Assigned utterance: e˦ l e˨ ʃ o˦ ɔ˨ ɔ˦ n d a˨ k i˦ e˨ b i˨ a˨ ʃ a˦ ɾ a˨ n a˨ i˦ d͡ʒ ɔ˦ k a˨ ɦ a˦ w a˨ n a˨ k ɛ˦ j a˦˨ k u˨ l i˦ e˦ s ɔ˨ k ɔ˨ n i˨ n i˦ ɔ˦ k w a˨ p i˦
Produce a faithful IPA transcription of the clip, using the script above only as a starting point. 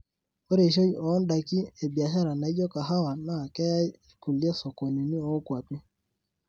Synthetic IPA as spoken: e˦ ɾ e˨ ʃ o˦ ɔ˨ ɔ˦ n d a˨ k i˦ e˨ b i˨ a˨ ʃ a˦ ɾ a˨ n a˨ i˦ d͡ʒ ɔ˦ k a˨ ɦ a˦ w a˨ n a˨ k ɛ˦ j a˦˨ k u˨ l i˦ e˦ s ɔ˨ k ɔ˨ n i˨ n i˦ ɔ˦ k w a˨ p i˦